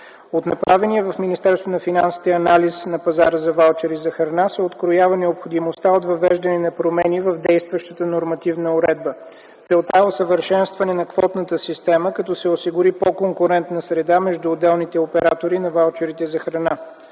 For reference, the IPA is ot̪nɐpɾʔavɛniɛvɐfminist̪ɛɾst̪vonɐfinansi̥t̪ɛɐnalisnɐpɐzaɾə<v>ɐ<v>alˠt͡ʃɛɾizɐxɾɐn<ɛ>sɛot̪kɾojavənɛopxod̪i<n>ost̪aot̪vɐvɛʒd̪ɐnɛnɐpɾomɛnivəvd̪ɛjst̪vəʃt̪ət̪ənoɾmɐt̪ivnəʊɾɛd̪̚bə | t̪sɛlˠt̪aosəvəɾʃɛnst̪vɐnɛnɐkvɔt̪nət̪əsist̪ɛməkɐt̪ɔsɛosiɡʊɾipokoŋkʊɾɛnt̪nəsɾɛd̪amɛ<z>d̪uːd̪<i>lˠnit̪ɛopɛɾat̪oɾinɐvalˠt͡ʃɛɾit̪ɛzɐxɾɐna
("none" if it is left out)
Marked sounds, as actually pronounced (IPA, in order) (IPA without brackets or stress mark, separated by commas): z, v, a, m, ʒ, ɛ